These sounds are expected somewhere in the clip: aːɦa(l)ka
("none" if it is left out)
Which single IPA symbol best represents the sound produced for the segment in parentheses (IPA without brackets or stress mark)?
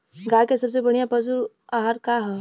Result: ɾ